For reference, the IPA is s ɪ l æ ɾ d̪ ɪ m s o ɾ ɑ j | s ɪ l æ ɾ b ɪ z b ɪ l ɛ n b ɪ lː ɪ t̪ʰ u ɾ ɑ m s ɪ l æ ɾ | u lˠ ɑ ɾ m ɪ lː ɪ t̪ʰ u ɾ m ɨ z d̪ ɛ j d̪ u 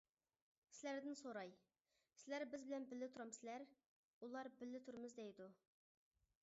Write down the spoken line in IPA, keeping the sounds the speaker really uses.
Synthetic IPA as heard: s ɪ l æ ɾ d̪ ɪ n s o ɾ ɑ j | s ɪ l æ ɾ b ɪ z b ɪ l ɛ n b ɪ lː ɪ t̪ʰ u ɾ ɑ m s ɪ l æ ɾ | u lˠ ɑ ɾ b ɪ lː ɪ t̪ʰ u ɾ m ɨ z d̪ ɛ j d̪ u